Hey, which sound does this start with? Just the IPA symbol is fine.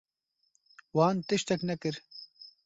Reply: w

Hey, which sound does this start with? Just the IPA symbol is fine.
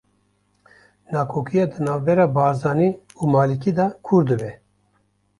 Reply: n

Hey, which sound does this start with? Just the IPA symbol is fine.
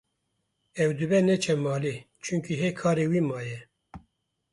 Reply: ɛ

